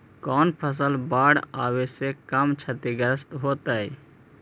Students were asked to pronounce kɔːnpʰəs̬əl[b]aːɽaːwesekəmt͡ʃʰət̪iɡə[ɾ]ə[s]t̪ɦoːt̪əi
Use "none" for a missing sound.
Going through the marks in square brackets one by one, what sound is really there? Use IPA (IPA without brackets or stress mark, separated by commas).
b, ɾ, s